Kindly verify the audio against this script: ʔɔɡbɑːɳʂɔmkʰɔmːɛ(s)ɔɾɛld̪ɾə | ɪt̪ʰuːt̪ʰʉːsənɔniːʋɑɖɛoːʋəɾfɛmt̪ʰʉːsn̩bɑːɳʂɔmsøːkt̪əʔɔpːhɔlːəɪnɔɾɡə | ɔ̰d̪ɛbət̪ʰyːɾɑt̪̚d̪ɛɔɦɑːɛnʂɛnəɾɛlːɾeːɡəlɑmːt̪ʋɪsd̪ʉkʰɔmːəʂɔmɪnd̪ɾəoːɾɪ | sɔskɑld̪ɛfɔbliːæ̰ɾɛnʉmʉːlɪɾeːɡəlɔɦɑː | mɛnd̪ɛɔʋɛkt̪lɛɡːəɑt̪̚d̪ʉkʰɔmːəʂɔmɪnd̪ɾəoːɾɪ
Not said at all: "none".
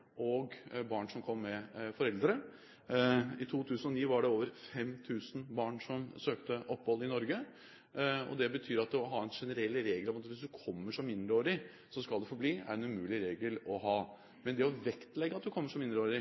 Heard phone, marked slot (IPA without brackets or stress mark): f